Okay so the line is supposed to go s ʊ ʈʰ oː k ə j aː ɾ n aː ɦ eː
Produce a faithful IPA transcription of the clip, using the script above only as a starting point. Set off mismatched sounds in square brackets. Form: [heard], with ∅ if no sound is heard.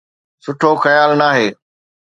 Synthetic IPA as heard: s ʊ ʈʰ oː [x] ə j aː [l] n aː ɦ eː

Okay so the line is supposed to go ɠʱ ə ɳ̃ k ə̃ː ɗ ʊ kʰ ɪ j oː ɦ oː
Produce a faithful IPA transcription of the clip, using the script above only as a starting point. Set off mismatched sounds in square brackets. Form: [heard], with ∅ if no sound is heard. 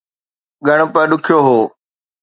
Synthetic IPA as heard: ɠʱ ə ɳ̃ [p] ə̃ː ɗ ʊ kʰ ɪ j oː ɦ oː

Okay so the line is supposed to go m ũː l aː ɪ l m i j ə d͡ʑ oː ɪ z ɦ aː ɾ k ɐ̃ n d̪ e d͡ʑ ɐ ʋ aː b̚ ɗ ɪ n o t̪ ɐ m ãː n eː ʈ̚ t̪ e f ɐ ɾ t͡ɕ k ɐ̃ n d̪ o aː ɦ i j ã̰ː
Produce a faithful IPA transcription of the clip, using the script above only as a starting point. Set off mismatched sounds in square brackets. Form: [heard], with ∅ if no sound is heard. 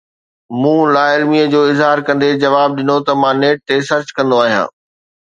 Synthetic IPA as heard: m ũː l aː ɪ l m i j ə d͡ʑ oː ɪ z ɦ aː ɾ k ɐ̃ n d̪ e d͡ʑ ɐ ʋ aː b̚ ɗ ɪ n o t̪ ɐ m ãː n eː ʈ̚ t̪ e [s] ɐ ɾ t͡ɕ k ɐ̃ n d̪ o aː ɦ i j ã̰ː

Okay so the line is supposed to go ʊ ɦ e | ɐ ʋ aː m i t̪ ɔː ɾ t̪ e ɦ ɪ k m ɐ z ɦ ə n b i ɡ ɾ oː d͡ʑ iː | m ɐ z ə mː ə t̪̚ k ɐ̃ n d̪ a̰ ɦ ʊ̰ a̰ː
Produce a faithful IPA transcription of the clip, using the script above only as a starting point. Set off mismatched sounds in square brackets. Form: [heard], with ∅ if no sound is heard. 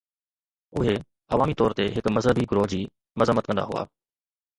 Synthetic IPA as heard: ʊ ɦ e | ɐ ʋ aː m i t̪ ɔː ɾ t̪ e ɦ ɪ k m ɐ z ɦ ə [∅] b i ɡ ɾ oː d͡ʑ iː | m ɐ z ə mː ə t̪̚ k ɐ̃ n d̪ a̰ ɦ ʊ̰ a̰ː

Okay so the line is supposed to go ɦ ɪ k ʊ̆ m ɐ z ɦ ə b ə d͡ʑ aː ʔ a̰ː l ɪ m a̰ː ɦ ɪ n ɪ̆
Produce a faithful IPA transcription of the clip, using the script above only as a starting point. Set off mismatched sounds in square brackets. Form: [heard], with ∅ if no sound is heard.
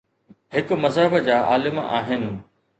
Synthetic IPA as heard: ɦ ɪ k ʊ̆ m ɐ z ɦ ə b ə d͡ʑ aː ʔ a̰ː l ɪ m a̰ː ɦ ɪ n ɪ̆

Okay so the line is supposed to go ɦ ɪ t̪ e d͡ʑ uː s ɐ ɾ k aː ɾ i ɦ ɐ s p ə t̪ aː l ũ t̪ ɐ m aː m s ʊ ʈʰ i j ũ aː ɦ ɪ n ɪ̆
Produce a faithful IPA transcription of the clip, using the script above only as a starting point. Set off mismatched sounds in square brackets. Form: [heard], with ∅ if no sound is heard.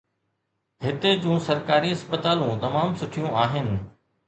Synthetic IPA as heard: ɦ ɪ t̪ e d͡ʑ [ũː] s ɐ ɾ k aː ɾ i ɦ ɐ s p ə t̪ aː l ũ t̪ ɐ m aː m s ʊ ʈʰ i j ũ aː ɦ ɪ n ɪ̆

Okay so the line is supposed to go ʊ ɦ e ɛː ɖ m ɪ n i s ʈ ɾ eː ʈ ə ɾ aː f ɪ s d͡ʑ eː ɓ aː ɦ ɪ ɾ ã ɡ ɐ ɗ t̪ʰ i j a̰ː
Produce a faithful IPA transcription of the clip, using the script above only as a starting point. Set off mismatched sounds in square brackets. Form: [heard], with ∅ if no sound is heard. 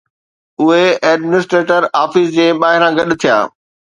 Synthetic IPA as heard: ʊ ɦ e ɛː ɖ m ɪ n [ɪ] s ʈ ɾ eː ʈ ə ɾ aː f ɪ s d͡ʑ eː ɓ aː ɦ ɪ ɾ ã ɡ ɐ ɗ t̪ʰ i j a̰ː

